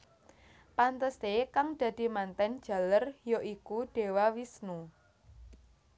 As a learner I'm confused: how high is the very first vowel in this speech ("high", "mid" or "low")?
low